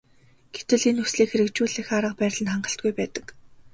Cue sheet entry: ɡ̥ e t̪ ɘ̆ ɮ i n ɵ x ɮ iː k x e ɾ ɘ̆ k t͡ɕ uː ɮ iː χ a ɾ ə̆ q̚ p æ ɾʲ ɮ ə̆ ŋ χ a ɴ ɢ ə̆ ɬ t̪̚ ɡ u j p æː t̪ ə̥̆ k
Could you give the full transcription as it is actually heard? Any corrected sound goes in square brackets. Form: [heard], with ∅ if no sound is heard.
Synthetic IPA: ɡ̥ e t̪ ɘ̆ ɮ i n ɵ [s] ɮ iː k x e ɾ ɘ̆ k t͡ɕ uː ɮ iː [x] a ɾ ə̆ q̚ p [æː] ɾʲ ɮ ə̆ [n] χ a ɴ ɢ ə̆ ɬ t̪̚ ɡ u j p æː t̪ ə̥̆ k

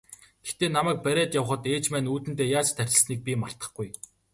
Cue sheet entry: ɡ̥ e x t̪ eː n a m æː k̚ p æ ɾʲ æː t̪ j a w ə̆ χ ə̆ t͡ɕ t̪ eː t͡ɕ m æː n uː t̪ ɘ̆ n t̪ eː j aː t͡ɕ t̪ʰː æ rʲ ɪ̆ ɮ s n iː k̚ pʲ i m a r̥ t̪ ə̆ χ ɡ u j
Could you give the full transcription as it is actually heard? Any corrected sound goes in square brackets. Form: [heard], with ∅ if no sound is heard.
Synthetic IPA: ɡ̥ e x t̪ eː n a m æː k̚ p æ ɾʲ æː t̪ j a w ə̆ χ ə̆ [∅] t̪ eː t͡ɕ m æː n uː t̪ ɘ̆ n t̪ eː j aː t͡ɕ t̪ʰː æ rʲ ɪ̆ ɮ s n iː k̚ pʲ i m a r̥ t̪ ə̆ χ ɡ u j

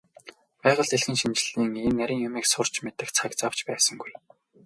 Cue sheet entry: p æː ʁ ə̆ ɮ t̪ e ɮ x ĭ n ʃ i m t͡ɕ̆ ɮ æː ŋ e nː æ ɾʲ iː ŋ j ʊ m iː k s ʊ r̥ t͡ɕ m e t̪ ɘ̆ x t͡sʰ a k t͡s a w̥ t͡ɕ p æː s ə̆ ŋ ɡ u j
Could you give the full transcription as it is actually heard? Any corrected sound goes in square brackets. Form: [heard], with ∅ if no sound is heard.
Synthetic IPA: p æː ʁ ə̆ ɮ t̪ e ɮ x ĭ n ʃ i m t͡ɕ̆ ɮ [iː] ŋ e nː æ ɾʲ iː ŋ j ʊ m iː k s ʊ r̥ t͡ɕ m e t̪ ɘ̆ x t͡sʰ a k t͡s a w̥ t͡ɕ p æː s ə̆ ŋ ɡ u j

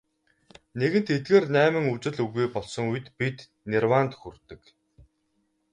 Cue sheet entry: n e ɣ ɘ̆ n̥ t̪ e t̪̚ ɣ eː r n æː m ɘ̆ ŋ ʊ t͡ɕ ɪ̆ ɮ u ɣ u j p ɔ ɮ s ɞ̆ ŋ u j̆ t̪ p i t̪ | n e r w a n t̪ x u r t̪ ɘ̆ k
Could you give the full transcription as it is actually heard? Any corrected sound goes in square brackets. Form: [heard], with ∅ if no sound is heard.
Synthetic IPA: n e ɣ ɘ̆ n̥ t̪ e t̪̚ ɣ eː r n æː m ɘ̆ ŋ [u] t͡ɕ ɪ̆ ɮ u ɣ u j p ɔ ɮ s ɞ̆ ŋ u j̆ t̪ p i t̪ | n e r w a n t̪ x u r t̪ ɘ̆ k

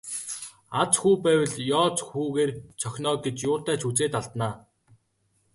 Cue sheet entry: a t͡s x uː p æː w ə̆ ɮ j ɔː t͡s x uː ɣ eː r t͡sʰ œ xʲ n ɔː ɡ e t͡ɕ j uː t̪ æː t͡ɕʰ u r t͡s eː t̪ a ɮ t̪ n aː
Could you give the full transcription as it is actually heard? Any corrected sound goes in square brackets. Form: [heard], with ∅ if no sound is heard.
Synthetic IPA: a t͡s x uː p æː w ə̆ ɮ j ɔː t͡s x uː ɣ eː r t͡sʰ œ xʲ n ɔː ɡ e t͡ɕ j [ʊː] t̪ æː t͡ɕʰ u [∅] t͡s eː t̪ a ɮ t̪ n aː

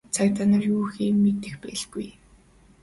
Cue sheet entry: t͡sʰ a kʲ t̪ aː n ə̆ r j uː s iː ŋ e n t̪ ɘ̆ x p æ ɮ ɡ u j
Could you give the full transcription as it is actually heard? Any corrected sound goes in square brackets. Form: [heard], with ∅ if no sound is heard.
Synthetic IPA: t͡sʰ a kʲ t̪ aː n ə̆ r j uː [x] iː [m] e [∅] t̪ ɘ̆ x p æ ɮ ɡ u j

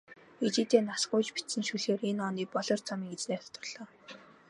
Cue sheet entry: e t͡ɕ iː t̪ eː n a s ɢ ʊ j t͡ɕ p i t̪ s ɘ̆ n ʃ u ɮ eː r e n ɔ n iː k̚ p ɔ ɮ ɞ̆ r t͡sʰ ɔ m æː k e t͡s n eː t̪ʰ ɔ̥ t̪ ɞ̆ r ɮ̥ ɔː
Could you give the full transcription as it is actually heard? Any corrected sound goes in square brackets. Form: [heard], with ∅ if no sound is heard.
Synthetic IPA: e t͡ɕ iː t̪ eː n a s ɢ ʊ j t͡ɕ p i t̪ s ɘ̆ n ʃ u ɮ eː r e n ɔ n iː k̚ p ɔ ɮ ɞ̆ r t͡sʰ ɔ m [iː] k e t͡s n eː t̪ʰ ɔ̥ t̪ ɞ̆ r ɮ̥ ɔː

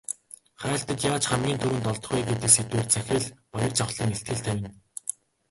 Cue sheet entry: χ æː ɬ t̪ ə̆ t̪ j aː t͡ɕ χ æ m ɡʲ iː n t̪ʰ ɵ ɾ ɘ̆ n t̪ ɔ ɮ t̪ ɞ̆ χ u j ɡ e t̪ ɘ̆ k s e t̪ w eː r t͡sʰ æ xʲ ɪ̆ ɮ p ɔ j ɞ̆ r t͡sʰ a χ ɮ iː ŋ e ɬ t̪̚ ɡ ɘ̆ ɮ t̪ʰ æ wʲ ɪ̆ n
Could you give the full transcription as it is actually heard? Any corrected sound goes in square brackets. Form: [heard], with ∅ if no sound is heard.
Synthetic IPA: χ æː ɬ t̪ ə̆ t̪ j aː t͡ɕ χ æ m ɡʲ iː n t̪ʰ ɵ ɾ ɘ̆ n t̪ ɔ ɮ t̪ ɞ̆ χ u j ɡ e t̪ ɘ̆ k s e t̪ w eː r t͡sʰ æ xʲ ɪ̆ ɮ p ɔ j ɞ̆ r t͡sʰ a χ ɮ iː ŋ e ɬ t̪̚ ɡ ɘ̆ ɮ t̪ʰ æ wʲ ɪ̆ n

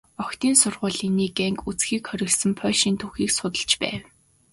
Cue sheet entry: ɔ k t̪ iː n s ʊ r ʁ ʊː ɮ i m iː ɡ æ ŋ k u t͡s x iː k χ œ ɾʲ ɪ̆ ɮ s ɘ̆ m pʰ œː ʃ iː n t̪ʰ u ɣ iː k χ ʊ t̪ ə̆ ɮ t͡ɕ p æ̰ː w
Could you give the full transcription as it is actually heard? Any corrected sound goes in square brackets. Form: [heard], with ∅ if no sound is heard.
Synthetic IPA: ɔ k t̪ iː n s ʊ r ʁ ʊː ɮ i [n] iː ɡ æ ŋ k u t͡s x iː k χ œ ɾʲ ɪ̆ ɮ s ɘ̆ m pʰ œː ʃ iː n t̪ʰ u [x] iː k [s] ʊ t̪ ə̆ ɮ t͡ɕ p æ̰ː w

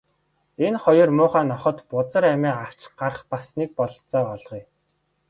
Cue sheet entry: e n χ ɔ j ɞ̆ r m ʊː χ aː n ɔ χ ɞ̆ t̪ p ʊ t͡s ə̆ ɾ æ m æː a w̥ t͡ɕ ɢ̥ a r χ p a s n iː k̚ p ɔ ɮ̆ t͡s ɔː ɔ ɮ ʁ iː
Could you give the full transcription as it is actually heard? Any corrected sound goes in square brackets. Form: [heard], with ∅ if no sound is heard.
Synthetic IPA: e n χ ɔ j ɞ̆ r m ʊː χ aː n ɔ χ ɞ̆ t̪ p ʊ t͡s ə̆ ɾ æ m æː a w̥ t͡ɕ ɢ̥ a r χ p a s n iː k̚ p ɔ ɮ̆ t͡s ɔː ɔ ɮ ʁ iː

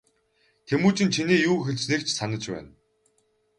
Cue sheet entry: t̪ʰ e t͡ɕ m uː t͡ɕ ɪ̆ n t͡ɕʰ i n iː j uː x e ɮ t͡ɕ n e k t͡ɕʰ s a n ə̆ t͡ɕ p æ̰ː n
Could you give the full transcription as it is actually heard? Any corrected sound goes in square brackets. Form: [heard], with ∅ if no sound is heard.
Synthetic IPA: t̪ʰ e [∅] m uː t͡ɕ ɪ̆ n t͡ɕʰ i n iː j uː x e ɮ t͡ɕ n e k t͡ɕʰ s a n ə̆ t͡ɕ p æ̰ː n

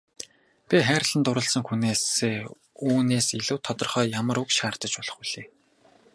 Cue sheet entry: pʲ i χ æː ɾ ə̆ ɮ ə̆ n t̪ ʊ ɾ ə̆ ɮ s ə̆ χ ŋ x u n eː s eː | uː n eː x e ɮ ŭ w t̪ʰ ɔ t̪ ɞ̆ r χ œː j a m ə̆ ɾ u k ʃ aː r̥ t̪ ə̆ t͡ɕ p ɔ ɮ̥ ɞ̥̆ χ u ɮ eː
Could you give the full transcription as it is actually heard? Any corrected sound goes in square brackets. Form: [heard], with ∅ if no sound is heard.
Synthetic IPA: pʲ i χ æː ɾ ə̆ ɮ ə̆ n t̪ ʊ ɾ ə̆ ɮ s ə̆ [∅] ŋ x u n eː s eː | uː n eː [s] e ɮ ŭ w t̪ʰ ɔ t̪ ɞ̆ r χ œː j a m ə̆ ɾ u k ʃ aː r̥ t̪ ə̆ t͡ɕ p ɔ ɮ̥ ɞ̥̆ χ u ɮ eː

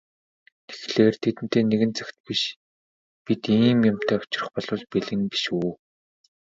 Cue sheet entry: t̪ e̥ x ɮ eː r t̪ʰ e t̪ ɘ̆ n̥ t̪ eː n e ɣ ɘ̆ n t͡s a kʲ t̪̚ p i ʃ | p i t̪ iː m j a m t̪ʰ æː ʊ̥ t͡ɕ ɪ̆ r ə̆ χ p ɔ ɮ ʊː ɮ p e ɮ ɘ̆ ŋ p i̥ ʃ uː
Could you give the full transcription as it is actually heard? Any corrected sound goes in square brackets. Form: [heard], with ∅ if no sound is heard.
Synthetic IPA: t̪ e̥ x ɮ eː r t̪ʰ e t̪ ɘ̆ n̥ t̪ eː n e ɣ ɘ̆ n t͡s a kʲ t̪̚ p i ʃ | p i t̪ iː m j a m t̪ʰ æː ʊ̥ t͡ɕ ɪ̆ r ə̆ χ p ɔ ɮ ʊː ɮ p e ɮ ɘ̆ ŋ p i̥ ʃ uː

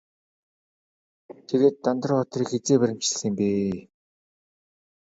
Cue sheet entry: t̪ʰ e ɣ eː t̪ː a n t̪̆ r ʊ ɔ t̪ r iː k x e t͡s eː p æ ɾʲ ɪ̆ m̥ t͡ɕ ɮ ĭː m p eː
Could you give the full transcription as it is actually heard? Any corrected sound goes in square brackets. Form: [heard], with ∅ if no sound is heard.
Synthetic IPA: t̪ʰ e ɣ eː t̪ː a n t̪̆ r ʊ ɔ t̪ r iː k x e t͡s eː p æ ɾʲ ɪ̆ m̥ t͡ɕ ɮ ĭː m p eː

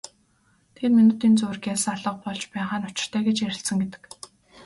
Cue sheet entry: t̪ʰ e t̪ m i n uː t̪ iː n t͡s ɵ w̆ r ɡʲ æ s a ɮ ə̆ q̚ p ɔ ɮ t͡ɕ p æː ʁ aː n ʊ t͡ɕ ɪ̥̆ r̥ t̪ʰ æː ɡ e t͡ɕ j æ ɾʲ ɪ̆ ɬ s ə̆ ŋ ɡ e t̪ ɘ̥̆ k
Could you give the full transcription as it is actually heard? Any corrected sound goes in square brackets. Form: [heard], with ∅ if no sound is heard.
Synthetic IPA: t̪ʰ e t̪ m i n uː t̪ iː n t͡s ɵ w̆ r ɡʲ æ s a ɮ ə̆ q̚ p ɔ ɮ t͡ɕ p æː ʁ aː n ʊ t͡ɕ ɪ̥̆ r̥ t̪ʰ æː ɡ e t͡ɕ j æ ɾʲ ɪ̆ ɬ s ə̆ ŋ ɡ e t̪ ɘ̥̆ k

